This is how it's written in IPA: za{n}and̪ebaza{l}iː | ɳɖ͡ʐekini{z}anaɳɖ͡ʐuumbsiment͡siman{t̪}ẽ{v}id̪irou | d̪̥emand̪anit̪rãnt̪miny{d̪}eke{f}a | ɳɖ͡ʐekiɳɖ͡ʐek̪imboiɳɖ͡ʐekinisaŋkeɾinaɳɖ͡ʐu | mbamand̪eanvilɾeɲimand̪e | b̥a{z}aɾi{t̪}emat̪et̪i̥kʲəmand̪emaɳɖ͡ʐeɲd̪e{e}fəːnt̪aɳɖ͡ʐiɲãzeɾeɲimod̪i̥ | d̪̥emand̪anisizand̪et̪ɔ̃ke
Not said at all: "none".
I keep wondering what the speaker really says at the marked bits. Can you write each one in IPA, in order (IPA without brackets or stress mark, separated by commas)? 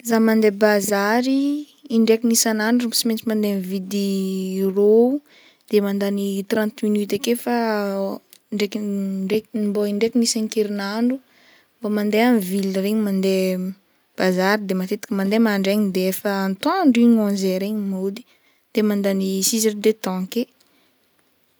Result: m, ɾ, s, d̪, v, t̪, f, z, d̪, e